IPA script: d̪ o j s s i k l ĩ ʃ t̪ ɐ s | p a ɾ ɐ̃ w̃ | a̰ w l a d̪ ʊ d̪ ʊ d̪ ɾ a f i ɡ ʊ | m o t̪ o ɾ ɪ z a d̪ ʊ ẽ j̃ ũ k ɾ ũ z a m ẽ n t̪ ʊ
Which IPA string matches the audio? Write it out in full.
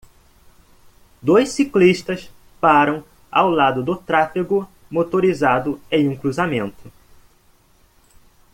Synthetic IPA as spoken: d̪ o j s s i k l i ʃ t̪ ɐ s | p a ɾ ɐ̃ w̃ | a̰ w l a d̪ ʊ d̪ ʊ t̪ ɾ a f i ɡ ʊ | m o t̪ o ɾ i z a d̪ ʊ ẽ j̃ ũ k ɾ u z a m ẽ n t̪ ʊ